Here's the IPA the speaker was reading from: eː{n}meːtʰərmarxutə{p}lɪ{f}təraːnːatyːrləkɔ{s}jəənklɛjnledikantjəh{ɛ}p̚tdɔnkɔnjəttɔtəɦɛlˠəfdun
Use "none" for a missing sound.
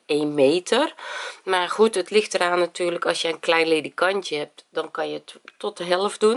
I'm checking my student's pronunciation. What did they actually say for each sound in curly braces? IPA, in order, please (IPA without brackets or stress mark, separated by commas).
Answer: n, t, x, s, ɛ